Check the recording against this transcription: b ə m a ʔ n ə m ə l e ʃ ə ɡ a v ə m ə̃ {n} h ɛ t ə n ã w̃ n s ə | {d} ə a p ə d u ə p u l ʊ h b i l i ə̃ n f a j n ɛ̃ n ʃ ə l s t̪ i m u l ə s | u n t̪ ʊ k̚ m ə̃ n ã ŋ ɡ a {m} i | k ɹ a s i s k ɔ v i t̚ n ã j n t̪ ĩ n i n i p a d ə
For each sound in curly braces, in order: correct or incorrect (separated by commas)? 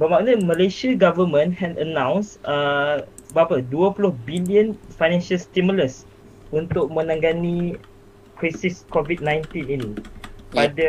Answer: correct, incorrect, incorrect